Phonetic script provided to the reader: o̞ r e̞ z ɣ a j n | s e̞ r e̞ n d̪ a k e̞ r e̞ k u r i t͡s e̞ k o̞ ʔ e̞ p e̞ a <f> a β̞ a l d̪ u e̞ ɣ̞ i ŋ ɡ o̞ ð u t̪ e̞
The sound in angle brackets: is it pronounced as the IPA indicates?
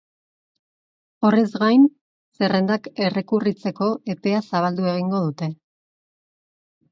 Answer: no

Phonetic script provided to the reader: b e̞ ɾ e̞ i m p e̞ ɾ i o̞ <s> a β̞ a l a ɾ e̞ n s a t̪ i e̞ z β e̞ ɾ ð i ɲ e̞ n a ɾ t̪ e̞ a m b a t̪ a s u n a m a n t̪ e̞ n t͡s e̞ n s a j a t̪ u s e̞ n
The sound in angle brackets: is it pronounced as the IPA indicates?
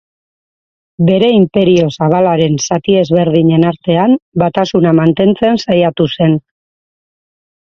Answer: yes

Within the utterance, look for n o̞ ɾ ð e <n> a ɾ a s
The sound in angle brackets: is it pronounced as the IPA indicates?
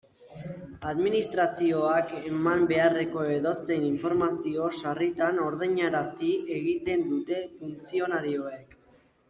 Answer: no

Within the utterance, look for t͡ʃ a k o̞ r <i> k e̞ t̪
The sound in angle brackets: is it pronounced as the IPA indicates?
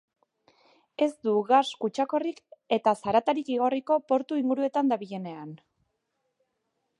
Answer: yes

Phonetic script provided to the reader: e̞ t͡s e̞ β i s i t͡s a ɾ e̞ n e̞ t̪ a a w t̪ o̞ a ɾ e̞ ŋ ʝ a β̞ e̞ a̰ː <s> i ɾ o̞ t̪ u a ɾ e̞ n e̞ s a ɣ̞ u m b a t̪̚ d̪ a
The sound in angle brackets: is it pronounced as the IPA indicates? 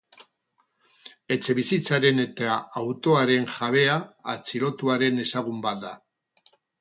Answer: no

